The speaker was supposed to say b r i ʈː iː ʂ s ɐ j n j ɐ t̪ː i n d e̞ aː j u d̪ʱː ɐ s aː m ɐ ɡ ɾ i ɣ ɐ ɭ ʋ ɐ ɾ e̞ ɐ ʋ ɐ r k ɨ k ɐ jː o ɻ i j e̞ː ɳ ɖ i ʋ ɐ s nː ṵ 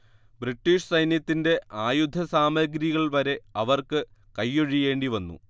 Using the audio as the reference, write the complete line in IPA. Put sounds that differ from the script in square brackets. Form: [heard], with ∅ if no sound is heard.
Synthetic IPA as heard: b r i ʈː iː ʂ s ɐ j n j ɐ t̪ː i n d e̞ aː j u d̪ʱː ɐ s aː m ɐ ɡ ɾ i ɣ ɐ ɭ ʋ ɐ ɾ e̞ ɐ ʋ ɐ r k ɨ k ɐ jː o ɻ i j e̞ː ɳ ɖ i ʋ ɐ [∅] nː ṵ